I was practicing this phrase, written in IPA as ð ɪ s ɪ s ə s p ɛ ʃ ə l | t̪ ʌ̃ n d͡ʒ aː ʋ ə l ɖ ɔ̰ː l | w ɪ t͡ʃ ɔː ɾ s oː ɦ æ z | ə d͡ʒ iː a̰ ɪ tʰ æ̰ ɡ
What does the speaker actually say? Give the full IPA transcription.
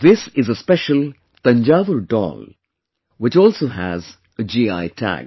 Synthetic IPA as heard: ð ɪ s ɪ z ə s p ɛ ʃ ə l | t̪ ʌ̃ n d͡ʒ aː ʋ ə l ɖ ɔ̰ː l | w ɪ t͡ʃ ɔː l s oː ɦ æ z | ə d͡ʒ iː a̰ ɪ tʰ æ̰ ɡ